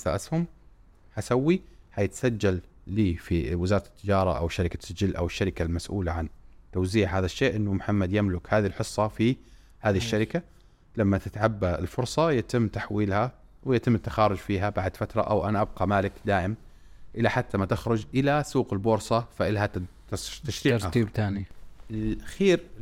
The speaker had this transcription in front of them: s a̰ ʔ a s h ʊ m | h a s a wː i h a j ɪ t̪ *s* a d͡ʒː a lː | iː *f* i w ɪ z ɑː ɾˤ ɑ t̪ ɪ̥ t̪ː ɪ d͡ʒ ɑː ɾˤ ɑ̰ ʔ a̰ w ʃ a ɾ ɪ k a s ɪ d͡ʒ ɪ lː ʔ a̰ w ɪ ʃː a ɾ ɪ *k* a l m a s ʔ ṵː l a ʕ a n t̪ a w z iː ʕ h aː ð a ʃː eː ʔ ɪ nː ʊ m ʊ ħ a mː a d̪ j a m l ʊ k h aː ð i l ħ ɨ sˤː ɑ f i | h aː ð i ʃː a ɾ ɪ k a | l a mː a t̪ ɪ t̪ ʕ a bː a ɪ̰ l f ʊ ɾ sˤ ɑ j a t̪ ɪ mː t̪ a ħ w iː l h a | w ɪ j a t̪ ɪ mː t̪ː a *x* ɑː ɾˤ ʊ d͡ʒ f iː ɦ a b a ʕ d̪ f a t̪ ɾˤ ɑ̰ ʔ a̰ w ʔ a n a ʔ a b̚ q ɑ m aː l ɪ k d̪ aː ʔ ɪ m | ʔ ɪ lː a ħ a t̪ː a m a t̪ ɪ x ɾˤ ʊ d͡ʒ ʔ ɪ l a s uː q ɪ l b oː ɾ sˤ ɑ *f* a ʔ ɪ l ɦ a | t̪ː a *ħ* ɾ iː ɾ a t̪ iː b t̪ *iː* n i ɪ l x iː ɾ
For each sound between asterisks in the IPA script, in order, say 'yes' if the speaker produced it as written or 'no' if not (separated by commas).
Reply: yes, yes, yes, yes, yes, no, no